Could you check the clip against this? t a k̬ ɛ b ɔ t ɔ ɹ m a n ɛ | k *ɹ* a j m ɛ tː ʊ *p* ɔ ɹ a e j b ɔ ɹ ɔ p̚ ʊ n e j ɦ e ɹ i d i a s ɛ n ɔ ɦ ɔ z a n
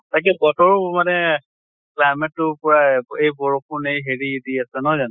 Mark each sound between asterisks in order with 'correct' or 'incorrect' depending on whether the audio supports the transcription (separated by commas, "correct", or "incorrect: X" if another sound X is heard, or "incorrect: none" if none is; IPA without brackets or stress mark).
incorrect: l, correct